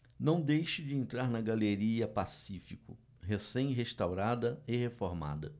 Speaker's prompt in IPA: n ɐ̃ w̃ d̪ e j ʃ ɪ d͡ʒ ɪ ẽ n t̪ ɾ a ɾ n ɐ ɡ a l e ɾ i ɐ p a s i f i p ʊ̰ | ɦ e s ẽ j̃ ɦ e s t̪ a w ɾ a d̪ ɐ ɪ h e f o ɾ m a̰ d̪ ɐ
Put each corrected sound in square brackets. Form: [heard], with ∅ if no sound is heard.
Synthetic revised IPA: n ɐ̃ w̃ d̪ e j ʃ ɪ d͡ʒ ɪ ẽ n t̪ ɾ a ɾ n ɐ ɡ a l e ɾ i ɐ p a s i f i [k] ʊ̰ | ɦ e s ẽ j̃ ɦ e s t̪ a w ɾ a d̪ ɐ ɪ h e f o ɾ m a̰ d̪ ɐ